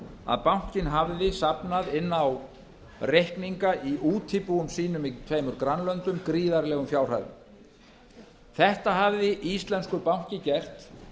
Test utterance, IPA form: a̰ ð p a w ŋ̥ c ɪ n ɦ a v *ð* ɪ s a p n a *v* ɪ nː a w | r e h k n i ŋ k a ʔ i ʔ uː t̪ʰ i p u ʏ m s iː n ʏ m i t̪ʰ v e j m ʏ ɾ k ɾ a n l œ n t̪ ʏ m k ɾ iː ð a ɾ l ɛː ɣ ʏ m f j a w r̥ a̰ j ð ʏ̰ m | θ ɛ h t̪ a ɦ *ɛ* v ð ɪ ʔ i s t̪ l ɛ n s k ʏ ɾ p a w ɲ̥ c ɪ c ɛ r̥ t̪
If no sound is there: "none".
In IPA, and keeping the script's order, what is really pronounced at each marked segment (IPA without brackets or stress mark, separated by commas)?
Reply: ð, ð, a